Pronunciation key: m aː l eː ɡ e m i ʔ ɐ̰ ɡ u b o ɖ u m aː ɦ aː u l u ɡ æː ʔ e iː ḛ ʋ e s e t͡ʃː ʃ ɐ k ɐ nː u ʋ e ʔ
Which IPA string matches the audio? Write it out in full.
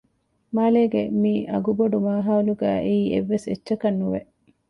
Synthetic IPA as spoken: m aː l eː ɡ e m i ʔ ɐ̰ ɡ u b o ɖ u m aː ɦ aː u l u ɡ æː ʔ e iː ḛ ʋː e s e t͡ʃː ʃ ɐ k ɐ nː u ʋ e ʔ